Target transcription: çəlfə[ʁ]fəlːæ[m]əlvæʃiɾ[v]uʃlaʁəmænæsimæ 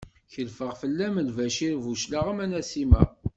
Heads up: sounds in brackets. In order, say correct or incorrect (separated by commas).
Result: correct, correct, correct